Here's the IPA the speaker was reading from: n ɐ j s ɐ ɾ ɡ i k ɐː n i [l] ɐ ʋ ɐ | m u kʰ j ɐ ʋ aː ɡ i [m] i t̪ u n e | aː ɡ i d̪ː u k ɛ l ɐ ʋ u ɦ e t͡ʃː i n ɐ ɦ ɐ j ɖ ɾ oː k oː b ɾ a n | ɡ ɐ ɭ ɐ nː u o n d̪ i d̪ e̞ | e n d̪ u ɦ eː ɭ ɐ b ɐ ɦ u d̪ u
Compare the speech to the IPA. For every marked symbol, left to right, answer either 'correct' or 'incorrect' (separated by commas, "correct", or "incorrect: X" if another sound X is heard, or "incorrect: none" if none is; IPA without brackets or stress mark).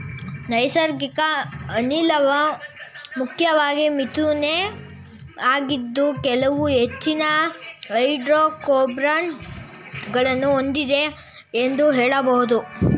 correct, correct